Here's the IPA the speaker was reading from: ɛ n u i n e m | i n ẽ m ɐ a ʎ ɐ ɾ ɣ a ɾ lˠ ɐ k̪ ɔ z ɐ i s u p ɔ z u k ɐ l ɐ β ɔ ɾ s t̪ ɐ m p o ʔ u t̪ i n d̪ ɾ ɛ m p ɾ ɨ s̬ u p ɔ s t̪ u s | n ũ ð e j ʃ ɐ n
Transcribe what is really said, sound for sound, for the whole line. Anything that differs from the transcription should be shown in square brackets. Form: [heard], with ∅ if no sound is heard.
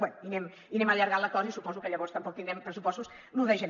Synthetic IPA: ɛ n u i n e m | i n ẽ m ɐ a ʎ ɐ ɾ ɣ a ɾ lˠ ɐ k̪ ɔ z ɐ i s u p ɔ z u k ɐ [ʎ] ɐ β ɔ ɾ s t̪ ɐ m p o [k] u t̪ i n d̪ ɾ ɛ m p ɾ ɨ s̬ u p ɔ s t̪ u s | n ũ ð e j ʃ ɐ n